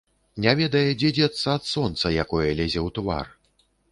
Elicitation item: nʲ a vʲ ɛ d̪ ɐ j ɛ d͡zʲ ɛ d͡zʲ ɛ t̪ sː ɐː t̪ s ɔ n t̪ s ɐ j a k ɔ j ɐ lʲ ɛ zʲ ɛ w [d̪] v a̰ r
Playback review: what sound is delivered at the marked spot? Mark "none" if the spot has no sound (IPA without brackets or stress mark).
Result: t̪